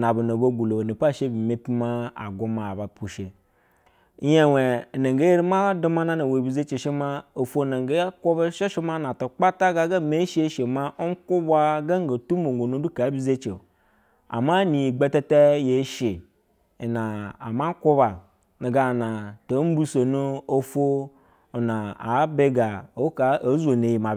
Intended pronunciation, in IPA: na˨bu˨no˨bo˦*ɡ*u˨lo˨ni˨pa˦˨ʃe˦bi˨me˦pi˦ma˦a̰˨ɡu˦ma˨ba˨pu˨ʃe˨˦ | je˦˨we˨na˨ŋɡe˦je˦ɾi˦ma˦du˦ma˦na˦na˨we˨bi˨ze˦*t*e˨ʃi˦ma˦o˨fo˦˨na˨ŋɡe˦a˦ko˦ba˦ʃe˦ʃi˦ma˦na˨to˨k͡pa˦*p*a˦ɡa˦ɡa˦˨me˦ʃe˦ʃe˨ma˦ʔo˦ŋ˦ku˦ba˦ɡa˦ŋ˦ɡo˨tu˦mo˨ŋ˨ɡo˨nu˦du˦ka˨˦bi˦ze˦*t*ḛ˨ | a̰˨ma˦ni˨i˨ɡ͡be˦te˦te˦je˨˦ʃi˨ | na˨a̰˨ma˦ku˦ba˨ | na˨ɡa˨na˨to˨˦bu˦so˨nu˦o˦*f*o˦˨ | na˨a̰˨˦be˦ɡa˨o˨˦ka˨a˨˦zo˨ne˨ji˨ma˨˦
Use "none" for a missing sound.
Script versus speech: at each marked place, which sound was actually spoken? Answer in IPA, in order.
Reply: ɡ, t͡ʃ, t, t͡ʃ, f

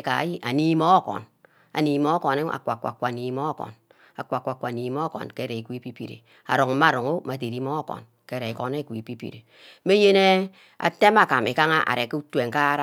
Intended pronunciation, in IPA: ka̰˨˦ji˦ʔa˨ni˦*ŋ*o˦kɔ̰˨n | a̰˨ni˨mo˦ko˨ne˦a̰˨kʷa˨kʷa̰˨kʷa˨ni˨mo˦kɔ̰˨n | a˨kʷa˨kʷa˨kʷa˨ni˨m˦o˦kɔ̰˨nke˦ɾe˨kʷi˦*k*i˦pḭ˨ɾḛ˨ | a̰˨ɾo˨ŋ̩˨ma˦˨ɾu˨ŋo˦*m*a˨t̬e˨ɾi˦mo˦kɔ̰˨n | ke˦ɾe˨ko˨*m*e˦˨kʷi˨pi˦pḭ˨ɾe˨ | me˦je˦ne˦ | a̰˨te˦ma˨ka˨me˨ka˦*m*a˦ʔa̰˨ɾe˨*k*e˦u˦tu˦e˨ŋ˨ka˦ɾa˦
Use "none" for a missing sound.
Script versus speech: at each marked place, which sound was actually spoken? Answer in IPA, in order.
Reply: m, p, m, n, ŋ, k

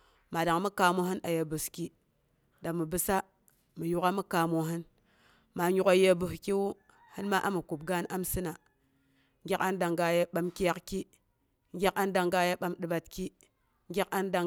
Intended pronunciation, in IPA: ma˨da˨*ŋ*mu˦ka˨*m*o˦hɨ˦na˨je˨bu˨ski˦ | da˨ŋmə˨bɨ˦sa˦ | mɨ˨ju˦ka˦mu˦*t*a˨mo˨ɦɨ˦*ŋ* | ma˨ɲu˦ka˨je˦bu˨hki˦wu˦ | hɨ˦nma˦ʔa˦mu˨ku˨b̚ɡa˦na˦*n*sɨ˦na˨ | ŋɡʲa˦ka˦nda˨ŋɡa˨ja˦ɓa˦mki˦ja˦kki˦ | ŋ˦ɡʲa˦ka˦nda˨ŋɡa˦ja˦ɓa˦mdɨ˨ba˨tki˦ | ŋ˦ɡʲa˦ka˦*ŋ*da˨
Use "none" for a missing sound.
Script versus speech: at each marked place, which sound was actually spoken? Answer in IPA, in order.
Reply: ŋ, m, k, n, m, n

